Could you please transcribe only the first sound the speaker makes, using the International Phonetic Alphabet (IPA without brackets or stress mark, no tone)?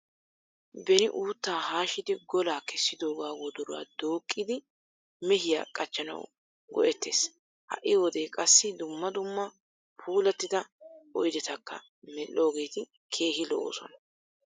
b